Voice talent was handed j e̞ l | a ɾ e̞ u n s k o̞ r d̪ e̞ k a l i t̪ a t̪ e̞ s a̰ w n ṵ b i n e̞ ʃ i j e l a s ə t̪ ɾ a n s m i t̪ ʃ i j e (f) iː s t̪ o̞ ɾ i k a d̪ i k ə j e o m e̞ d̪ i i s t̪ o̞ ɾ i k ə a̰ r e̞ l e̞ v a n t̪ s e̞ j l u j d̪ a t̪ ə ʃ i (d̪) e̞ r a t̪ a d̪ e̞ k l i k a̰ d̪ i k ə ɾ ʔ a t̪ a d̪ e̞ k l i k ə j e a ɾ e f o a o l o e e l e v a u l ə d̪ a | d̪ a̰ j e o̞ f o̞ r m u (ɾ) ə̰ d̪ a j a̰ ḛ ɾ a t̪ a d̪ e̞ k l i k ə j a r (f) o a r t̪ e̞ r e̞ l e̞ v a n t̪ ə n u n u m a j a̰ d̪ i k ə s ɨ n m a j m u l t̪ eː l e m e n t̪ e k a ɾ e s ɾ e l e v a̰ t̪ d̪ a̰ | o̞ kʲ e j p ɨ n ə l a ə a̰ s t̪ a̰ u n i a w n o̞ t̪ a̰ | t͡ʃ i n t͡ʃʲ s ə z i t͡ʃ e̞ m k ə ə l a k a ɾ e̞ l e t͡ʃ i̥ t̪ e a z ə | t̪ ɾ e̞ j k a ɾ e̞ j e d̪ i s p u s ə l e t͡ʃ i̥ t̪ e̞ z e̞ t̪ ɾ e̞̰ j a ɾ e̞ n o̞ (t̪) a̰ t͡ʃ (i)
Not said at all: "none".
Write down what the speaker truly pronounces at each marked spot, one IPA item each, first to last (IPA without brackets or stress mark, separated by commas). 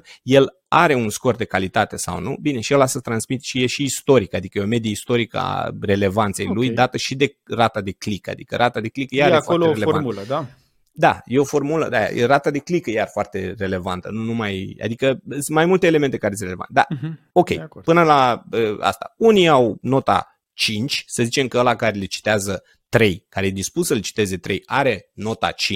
ʃ, d̪, l, f, t̪, i